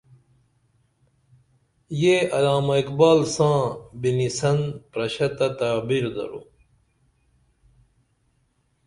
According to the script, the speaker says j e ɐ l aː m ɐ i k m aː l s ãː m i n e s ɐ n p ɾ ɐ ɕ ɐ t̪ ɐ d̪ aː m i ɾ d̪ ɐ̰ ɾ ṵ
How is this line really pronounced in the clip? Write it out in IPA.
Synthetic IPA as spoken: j e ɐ l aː m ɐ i k b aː l s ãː b i n i s ɐ n p ɾ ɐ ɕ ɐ t̪ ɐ t̪ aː b i ɾ d̪ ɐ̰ ɾ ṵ